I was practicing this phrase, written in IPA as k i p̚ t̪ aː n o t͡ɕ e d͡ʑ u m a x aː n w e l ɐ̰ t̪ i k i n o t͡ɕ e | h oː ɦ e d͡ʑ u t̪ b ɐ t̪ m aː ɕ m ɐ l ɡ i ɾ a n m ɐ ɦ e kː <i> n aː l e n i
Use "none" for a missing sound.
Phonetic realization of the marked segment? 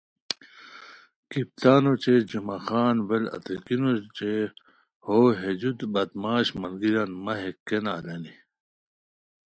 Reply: e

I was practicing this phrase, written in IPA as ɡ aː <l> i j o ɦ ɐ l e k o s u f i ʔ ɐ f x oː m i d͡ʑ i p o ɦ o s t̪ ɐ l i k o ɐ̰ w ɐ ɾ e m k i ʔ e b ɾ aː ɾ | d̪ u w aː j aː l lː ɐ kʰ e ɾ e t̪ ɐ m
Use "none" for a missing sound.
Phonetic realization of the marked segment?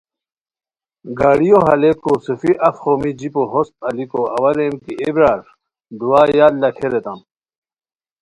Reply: ɽ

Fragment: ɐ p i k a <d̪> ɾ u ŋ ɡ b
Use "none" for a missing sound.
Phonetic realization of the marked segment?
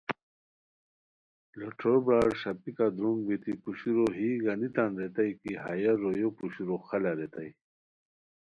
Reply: d̪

